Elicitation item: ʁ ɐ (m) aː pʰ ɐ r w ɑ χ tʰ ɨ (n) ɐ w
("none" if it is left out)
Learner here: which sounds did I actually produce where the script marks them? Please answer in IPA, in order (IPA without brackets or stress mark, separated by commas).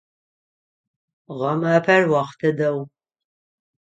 m, d